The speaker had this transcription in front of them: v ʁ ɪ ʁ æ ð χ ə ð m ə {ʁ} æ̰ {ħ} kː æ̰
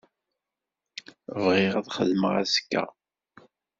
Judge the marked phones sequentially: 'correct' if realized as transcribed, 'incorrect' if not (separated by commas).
correct, incorrect